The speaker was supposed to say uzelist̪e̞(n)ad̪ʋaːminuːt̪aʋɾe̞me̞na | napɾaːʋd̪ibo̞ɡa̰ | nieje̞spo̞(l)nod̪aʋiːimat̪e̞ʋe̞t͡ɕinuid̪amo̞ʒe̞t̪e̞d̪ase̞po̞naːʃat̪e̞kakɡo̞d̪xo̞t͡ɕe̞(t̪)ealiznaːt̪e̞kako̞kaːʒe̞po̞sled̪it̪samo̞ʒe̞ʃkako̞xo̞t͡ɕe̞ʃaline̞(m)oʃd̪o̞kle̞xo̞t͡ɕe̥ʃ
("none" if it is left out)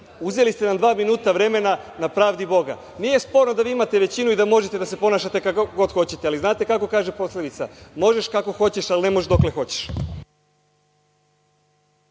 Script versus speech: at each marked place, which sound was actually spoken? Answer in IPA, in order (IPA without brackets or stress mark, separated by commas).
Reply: n, ɾ, t̪, m